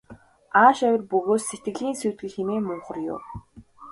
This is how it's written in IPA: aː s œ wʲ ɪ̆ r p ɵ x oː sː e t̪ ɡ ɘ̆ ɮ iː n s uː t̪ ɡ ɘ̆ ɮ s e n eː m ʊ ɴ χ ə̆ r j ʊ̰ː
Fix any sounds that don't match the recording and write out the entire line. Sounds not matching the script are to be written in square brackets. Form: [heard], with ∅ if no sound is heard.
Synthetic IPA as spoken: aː [ʃ] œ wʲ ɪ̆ r p ɵ [ɣ] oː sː e t̪ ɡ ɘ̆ ɮ iː n s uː t̪ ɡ ɘ̆ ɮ [x] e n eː m ʊ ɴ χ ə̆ r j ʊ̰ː